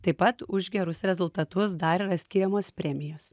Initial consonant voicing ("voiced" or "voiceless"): voiceless